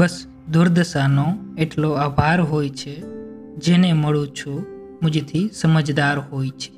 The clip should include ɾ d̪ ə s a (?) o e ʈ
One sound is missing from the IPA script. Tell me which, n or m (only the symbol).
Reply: n